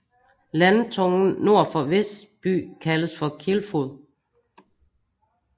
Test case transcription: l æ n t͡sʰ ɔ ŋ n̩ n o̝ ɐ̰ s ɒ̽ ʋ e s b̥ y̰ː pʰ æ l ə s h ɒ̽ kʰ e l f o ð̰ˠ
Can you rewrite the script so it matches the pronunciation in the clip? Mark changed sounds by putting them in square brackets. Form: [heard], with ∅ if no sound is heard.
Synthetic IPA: l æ n t͡sʰ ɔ ŋ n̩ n o̝ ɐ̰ [f] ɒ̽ ʋ e s b̥ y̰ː [kʰ] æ l ə s [f] ɒ̽ kʰ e l f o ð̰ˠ